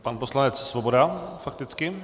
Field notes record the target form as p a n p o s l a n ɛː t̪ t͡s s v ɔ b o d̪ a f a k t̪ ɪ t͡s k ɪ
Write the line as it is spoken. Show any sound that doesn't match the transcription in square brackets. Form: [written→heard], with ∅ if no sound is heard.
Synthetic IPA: p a n p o s l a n [ɛː→ɛ] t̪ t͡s s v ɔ b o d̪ a f a k t̪ ɪ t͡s k ɪ